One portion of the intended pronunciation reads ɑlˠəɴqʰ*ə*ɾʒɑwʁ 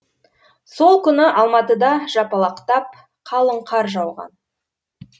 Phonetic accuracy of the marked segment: incorrect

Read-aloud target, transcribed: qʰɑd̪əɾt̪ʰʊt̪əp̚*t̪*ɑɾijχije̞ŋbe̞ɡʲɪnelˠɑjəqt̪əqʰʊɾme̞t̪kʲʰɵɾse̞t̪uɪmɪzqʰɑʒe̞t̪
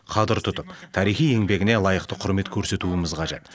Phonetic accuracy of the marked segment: incorrect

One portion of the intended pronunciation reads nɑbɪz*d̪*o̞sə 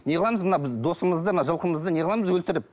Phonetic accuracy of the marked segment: correct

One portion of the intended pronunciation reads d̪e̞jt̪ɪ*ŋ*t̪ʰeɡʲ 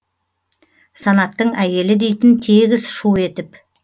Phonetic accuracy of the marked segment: incorrect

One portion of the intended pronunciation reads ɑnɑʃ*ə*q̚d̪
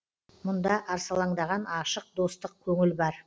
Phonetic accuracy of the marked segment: correct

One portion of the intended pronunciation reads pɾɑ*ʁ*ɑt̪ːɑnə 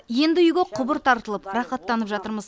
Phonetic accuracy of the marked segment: incorrect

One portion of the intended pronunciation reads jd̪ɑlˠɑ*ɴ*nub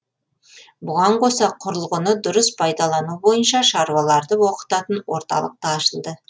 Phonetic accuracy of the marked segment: incorrect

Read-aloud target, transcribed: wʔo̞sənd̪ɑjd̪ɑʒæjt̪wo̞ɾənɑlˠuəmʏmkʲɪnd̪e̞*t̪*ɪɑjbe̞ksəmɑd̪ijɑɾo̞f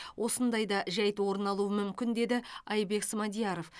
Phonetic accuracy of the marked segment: incorrect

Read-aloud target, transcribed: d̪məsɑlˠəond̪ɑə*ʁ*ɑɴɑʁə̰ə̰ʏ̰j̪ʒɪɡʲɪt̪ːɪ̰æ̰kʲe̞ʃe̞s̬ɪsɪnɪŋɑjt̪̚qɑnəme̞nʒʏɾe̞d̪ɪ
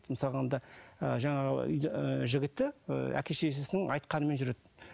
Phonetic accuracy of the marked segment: incorrect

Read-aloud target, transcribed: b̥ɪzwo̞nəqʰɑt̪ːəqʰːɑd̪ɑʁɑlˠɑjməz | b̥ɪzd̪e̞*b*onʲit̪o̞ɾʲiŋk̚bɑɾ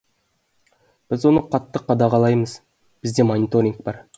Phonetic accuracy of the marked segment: incorrect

